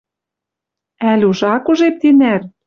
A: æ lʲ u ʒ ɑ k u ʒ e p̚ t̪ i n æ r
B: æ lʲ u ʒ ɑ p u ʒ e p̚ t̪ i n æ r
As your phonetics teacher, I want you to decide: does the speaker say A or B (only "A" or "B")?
A